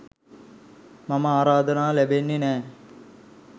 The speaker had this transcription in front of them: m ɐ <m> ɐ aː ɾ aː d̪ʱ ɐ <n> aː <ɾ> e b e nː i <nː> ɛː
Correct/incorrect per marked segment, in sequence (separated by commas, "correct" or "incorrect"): correct, correct, incorrect, incorrect